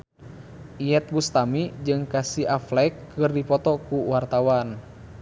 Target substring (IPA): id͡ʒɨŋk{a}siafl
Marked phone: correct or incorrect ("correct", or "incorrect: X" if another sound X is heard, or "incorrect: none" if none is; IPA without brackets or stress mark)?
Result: correct